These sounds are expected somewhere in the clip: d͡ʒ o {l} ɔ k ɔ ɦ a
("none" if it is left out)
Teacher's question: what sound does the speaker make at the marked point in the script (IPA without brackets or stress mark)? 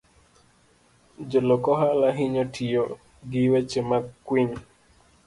l